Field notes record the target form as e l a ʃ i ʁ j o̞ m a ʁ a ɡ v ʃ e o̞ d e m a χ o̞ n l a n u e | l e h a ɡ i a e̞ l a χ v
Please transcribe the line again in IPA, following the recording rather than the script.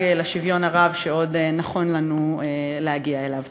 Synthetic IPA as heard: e l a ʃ i v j o̞ n a ʁ a v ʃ e o̞ d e n a χ o̞ n l a n u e | l e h a ɡ i a e̞ l a v